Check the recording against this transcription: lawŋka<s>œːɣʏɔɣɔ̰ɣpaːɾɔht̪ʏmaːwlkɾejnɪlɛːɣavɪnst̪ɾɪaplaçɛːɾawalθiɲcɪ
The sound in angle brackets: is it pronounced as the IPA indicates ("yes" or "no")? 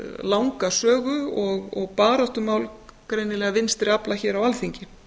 yes